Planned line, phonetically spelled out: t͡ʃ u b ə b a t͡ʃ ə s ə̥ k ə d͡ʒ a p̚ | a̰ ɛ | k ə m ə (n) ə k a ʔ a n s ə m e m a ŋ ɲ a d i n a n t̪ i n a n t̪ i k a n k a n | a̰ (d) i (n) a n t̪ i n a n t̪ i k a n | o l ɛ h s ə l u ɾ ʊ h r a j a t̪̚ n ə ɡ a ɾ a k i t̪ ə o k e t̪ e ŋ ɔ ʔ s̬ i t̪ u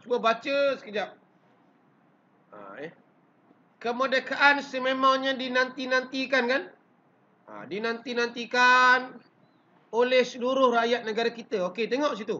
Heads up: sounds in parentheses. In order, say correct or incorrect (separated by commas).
incorrect, correct, correct